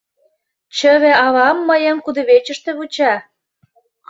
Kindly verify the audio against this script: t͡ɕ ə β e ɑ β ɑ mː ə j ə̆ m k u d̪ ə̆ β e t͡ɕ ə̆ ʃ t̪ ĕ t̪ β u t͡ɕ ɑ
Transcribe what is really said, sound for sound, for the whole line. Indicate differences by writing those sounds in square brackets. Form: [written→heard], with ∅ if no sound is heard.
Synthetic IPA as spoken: t͡ɕ ə β e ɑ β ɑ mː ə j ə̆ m k u d̪ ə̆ β e t͡ɕ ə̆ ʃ t̪ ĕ [t̪→∅] β u t͡ɕ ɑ